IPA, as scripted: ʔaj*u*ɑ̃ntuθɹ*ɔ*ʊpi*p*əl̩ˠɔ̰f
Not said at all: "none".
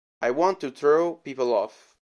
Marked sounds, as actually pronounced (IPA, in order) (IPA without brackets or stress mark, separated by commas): w, o, p